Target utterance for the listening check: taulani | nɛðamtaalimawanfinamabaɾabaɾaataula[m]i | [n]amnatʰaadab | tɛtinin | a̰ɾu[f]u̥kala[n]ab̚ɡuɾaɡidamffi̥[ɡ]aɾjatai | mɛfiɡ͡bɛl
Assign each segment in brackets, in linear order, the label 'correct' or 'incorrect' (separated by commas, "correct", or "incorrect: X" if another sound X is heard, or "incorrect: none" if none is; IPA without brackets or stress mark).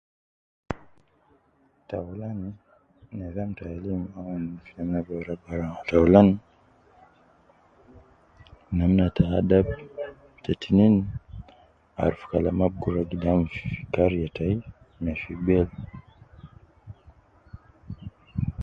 incorrect: n, correct, correct, incorrect: m, incorrect: k